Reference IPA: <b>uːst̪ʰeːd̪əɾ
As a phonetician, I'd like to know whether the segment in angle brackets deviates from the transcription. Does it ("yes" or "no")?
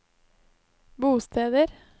no